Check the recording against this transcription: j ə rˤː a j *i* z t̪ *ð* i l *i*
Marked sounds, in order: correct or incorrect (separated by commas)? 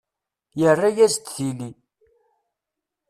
incorrect, incorrect, correct